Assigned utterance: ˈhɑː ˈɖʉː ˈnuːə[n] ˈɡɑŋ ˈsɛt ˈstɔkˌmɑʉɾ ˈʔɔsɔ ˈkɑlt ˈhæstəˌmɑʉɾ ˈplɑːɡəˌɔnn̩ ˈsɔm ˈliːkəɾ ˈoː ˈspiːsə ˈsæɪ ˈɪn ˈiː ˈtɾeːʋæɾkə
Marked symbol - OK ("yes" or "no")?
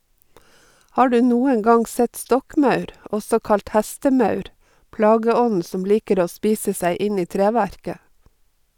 no